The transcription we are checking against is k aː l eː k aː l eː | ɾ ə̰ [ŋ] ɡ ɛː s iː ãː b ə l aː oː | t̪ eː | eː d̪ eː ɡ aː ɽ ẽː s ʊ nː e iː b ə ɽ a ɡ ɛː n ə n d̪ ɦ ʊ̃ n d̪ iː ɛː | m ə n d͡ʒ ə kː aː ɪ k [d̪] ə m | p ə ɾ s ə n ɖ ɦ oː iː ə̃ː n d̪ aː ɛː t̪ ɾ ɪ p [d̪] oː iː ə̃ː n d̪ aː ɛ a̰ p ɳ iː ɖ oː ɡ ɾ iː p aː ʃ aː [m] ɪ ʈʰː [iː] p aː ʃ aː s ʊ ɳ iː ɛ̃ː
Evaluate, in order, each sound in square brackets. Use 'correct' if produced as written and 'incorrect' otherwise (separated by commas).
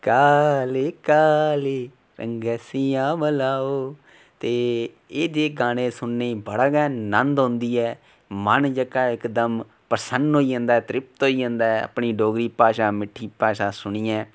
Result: correct, correct, incorrect, correct, correct